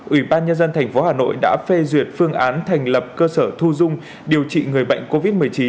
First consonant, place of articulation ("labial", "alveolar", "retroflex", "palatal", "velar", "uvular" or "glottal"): glottal